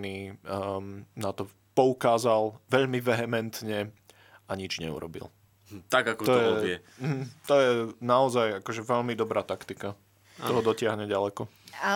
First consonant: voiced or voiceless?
voiced